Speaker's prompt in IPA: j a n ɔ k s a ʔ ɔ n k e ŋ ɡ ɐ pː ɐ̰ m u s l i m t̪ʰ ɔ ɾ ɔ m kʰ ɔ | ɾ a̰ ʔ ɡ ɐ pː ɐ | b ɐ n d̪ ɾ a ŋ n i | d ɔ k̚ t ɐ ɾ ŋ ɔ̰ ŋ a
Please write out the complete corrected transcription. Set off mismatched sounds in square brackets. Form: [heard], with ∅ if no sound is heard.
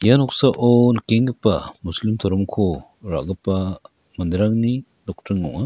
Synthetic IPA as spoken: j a n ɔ k s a ʔ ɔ n k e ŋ ɡ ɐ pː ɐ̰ m u s l i m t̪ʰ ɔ ɾ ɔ m kʰ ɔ | ɾ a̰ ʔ ɡ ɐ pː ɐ | [m] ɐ n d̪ ɾ a ŋ n i | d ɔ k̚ t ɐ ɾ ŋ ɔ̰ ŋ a

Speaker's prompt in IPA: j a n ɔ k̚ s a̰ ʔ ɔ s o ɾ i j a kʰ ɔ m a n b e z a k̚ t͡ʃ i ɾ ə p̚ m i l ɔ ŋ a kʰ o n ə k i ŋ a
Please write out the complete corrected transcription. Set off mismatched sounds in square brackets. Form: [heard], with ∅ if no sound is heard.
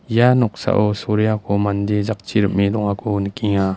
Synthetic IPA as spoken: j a n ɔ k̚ s a̰ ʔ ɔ s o ɾ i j a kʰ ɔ m a n [d] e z a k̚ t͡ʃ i ɾ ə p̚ m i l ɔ ŋ a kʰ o n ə k i ŋ a

